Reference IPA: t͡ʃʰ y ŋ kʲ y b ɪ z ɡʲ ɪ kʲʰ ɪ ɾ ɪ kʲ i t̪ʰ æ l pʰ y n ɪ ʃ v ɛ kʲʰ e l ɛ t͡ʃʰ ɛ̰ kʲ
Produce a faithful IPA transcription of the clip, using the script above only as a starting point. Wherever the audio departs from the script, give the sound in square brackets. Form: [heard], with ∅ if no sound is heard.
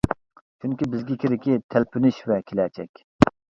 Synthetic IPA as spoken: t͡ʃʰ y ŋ kʲ [i] b ɪ z ɡʲ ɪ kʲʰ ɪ ɾ ɪ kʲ i t̪ʰ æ l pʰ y n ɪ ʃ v ɛ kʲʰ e l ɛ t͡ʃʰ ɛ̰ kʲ